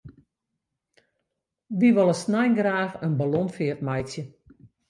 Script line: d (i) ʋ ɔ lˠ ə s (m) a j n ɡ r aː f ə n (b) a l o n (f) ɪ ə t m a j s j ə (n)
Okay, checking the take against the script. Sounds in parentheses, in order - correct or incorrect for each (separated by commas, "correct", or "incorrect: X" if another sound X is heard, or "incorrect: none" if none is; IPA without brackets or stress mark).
correct, incorrect: n, correct, correct, incorrect: none